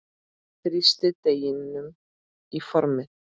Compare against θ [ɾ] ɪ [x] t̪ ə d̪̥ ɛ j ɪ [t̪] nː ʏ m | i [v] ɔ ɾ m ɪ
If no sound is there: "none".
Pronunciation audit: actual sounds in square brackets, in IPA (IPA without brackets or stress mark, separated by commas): ɾ, s, none, f